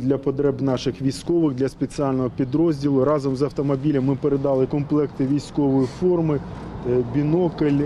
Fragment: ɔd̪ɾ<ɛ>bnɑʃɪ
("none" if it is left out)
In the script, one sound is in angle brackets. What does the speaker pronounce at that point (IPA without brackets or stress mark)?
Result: ɛ